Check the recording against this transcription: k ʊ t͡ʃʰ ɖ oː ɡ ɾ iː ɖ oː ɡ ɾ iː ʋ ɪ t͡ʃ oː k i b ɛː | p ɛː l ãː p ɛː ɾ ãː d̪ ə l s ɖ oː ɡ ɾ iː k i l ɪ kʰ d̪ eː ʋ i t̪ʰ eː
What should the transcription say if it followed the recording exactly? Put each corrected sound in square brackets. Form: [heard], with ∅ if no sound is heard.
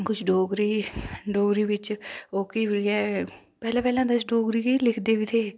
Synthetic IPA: k ʊ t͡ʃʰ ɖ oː ɡ ɾ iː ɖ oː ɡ ɾ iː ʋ ɪ t͡ʃ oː k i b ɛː | p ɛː l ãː p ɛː [l] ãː d̪ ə [∅] s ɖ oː ɡ ɾ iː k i l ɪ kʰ d̪ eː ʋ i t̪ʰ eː